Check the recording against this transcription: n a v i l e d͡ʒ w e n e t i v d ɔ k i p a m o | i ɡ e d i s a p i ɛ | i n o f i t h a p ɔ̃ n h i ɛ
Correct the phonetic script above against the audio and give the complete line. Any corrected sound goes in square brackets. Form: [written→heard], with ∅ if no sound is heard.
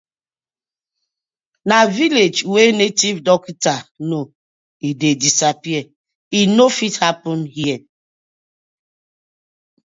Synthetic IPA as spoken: n a v i l e d͡ʒ w e n e t i v d ɔ k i [p→t] a [m→n] o | i [ɡ→d] e d i s a p i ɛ | i n o f i t h a p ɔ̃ n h i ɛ